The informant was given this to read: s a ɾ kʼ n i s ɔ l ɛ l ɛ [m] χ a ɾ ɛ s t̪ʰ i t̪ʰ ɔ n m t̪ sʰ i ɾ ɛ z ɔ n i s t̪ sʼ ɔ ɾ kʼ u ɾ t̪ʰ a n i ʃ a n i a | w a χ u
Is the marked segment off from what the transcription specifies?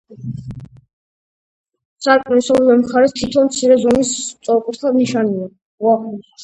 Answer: no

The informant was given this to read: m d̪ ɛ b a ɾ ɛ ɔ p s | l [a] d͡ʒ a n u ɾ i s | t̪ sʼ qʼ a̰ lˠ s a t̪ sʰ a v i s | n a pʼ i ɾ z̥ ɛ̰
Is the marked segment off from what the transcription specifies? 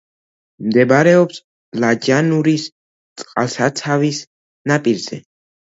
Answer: no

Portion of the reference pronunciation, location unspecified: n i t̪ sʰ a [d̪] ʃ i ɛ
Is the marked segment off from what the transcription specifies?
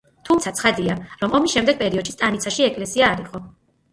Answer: yes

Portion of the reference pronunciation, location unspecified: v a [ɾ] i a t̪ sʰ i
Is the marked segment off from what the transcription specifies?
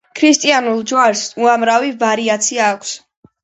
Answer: no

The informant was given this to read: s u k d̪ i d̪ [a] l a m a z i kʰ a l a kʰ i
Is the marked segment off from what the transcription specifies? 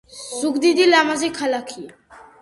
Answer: yes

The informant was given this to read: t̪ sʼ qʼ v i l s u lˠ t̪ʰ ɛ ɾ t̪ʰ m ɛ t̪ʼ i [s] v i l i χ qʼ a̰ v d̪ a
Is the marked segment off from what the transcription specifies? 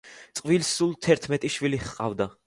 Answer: yes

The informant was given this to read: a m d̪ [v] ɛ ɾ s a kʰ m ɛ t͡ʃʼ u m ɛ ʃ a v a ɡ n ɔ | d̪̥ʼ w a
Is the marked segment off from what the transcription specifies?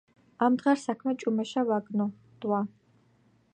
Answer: yes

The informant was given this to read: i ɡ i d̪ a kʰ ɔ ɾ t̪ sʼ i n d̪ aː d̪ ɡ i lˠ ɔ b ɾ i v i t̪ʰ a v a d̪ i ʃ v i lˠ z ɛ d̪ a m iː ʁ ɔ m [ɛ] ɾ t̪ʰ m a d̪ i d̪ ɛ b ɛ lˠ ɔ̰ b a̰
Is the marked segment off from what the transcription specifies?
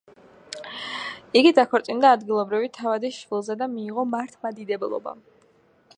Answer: yes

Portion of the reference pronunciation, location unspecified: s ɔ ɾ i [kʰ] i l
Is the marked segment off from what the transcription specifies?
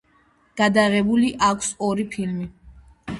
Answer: yes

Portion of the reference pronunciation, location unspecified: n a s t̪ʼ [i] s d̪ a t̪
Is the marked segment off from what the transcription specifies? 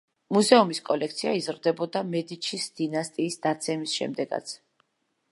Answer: yes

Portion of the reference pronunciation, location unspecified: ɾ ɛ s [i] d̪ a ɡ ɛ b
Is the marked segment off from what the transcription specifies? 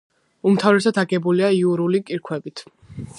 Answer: yes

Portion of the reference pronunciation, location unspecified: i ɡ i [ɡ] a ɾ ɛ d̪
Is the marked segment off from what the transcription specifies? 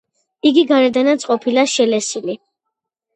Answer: no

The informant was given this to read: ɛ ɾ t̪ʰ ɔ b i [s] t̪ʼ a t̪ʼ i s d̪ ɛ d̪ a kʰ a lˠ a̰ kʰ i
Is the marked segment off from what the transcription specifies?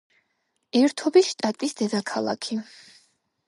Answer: yes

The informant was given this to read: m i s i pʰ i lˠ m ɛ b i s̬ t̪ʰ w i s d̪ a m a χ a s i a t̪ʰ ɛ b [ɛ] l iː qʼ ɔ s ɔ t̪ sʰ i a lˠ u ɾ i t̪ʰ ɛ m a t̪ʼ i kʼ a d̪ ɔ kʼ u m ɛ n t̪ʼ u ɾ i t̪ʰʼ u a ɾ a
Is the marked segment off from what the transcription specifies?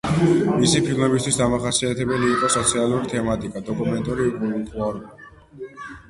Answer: no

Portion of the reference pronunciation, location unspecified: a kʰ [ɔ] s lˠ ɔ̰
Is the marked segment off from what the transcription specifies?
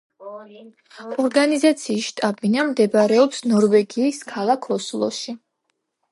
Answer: no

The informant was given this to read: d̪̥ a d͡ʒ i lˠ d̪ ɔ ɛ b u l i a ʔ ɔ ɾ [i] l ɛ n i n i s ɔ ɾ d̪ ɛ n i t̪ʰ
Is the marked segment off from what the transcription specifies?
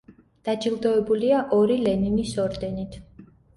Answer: no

